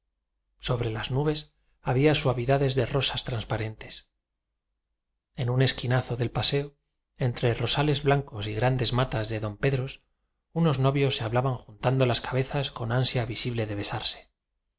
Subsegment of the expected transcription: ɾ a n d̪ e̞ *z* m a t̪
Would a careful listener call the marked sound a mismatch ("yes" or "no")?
no